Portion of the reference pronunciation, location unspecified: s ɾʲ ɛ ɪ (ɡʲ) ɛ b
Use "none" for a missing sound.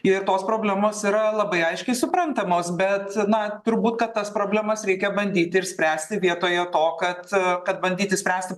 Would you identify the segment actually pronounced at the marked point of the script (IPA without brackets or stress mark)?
kʲ